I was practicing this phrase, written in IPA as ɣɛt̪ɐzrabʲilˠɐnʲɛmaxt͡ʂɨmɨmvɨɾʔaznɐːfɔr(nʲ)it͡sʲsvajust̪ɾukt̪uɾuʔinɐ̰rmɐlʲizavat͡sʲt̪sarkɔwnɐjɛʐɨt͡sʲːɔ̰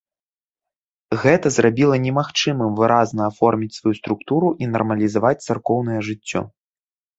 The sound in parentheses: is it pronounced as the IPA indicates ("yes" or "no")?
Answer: no